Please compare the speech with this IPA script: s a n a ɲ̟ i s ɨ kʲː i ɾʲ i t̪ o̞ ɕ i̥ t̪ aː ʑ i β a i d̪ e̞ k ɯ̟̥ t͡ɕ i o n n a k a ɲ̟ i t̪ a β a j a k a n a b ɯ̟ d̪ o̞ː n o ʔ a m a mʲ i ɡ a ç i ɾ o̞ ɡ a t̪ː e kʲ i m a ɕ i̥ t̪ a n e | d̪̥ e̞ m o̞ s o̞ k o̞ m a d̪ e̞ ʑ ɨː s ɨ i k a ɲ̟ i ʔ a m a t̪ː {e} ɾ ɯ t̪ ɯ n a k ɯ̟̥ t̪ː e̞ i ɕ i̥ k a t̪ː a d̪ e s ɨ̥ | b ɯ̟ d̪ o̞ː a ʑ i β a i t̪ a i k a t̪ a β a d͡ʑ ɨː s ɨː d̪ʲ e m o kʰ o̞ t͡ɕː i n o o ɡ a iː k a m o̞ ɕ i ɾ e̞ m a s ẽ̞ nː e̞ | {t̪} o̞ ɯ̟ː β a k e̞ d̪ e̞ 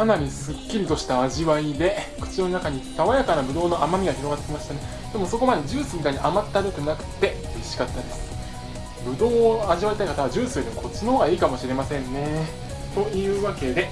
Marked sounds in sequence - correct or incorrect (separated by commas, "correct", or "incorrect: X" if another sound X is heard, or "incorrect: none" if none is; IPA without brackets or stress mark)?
incorrect: a, correct